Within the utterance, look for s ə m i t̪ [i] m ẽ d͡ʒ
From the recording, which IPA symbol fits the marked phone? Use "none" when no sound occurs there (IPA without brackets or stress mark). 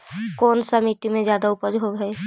i